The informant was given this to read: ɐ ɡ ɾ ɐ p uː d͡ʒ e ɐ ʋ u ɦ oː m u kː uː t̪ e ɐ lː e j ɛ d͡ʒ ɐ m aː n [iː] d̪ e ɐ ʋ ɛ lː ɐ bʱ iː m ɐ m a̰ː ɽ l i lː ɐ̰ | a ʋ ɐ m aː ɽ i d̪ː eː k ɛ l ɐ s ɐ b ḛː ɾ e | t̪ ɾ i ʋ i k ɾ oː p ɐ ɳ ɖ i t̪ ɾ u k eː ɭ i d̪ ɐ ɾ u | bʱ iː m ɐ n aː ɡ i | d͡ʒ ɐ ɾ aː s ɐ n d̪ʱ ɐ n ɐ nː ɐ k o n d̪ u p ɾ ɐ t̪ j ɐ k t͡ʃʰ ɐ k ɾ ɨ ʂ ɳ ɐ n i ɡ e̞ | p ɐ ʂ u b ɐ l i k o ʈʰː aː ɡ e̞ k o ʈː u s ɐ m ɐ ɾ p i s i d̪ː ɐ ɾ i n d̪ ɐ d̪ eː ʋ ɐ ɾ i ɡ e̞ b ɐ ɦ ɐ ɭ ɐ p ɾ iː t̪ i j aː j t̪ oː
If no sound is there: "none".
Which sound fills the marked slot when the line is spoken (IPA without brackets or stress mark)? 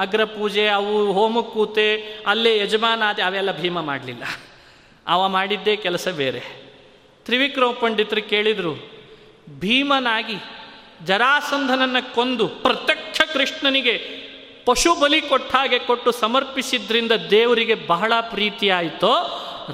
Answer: aː